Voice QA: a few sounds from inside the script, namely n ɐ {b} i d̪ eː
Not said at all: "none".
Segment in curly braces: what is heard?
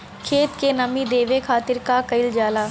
m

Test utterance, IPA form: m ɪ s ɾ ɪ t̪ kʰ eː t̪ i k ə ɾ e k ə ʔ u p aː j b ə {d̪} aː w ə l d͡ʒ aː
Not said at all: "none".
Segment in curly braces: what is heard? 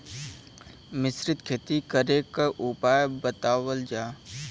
t̪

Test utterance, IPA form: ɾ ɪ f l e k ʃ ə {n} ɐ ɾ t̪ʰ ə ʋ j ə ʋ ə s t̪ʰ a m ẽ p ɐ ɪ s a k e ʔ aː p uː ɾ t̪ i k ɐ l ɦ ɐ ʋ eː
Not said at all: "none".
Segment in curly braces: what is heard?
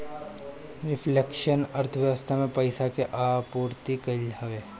n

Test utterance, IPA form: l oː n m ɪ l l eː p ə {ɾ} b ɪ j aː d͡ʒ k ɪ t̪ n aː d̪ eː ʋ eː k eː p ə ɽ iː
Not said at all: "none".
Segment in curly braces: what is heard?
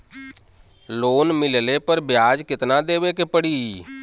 ɾ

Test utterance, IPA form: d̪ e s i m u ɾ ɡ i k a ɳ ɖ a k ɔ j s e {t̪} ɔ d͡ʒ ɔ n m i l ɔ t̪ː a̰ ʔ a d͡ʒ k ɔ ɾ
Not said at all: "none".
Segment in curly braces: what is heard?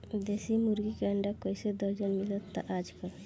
d̪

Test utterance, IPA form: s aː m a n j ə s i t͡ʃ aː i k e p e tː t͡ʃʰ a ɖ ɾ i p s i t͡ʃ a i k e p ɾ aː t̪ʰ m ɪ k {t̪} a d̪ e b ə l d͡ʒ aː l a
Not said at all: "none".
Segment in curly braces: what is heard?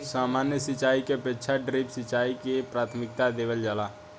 t̪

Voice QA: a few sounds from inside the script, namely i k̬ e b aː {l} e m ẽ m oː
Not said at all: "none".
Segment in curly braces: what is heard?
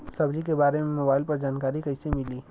ɾ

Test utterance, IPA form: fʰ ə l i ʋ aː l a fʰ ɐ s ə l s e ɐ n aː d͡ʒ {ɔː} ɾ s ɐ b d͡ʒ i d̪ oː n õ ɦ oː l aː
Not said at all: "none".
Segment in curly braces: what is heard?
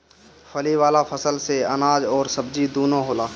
ɔː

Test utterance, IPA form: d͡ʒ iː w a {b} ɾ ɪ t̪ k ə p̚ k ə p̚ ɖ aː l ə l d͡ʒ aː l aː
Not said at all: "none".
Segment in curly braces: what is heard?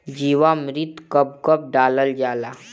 m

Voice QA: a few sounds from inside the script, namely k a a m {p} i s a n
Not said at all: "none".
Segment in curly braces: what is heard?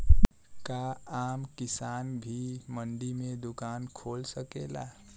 k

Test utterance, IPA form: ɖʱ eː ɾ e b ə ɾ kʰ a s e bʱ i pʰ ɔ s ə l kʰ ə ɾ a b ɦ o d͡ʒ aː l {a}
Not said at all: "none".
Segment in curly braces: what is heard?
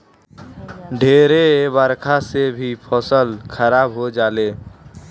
e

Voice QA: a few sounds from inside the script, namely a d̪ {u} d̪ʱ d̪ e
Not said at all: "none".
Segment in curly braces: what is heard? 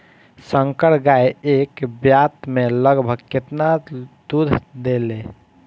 u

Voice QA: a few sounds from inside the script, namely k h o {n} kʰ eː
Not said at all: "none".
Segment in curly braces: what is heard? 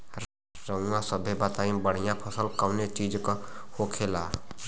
none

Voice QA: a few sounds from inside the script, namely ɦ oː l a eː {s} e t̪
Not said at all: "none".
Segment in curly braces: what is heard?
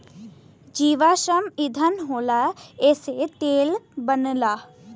s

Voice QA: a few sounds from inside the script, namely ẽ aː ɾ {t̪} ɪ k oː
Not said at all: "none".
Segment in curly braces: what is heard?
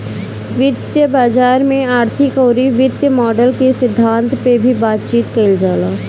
t̪ʰ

